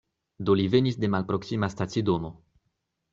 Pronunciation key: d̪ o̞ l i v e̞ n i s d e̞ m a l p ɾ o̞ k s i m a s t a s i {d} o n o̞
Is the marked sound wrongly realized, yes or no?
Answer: no